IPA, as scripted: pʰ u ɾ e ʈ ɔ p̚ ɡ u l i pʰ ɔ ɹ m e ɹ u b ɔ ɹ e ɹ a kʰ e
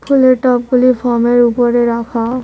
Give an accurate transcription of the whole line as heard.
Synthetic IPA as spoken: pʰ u l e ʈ ɔ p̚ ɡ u l i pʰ ɔ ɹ m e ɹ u p ɔ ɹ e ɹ a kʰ a

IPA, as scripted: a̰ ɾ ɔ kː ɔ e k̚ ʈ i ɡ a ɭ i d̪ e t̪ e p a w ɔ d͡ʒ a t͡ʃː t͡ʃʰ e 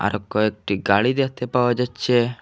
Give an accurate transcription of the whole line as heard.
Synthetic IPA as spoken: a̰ ɾ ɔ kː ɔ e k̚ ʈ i ɡ a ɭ i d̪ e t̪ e p a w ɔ d͡ʒ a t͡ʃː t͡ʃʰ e

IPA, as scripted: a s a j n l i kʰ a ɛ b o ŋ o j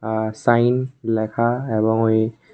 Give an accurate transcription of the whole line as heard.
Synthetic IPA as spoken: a s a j n l ɛ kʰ a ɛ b ɔ ŋ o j

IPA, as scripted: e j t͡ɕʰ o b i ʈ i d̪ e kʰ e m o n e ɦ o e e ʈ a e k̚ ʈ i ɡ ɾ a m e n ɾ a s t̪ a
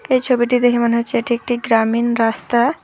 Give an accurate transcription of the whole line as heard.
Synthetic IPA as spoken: e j t͡ɕʰ o b i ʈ i d̪ e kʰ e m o n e ɦ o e e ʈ i e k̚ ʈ i ɡ ɾ a m i n ɾ a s t̪ a

